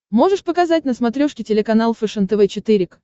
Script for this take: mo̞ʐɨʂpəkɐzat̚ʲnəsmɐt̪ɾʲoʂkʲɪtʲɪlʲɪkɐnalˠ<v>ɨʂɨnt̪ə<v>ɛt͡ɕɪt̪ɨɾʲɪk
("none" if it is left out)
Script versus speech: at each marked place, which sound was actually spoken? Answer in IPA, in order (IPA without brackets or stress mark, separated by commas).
f, v